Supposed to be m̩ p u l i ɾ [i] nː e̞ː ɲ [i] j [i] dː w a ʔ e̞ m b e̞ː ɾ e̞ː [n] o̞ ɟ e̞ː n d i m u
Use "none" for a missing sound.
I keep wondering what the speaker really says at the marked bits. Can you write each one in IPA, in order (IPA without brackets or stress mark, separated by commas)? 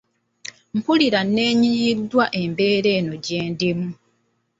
a, i, i, n